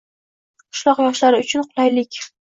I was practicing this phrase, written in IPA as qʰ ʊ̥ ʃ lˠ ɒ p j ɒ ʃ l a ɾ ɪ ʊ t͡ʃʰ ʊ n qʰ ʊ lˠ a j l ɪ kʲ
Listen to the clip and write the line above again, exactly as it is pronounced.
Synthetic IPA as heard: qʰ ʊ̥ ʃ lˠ ɒ q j ɒ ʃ l a ɾ ɪ ʊ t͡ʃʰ ʊ n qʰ ʊ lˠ a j l ɪ kʲ